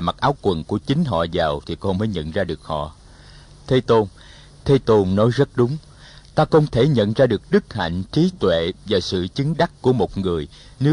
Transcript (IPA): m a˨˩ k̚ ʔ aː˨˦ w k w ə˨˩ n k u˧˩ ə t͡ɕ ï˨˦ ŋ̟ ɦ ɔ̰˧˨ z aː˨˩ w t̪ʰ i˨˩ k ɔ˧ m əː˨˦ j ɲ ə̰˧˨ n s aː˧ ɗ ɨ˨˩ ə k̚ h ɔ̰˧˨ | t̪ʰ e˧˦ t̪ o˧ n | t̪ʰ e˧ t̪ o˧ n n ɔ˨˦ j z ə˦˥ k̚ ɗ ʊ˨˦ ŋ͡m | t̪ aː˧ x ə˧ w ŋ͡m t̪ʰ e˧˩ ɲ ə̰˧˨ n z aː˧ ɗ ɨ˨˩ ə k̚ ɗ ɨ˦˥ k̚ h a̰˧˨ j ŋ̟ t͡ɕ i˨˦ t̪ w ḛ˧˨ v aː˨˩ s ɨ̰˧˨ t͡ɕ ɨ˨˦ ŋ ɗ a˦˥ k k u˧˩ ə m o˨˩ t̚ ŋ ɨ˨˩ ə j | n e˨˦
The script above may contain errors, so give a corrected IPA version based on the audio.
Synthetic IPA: m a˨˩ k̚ ʔ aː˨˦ w k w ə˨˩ n k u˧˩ ə t͡ɕ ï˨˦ ŋ̟ ɦ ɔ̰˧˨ z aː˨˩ w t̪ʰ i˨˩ k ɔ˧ m əː˨˦ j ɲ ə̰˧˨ n z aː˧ ɗ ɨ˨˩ ə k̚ h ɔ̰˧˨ | t̪ʰ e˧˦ t̪ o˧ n | t̪ʰ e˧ t̪ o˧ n n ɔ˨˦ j z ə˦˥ t̚ ɗ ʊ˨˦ ŋ͡m | t̪ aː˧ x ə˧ w ŋ͡m t̪ʰ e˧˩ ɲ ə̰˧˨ n z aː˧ ɗ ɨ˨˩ ə k̚ ɗ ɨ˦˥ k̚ h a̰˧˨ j ŋ̟ t͡ɕ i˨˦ t̪ w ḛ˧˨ v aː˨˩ s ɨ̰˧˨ t͡ɕ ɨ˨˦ ŋ ɗ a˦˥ k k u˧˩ ə m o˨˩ t̚ ŋ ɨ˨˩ ə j | n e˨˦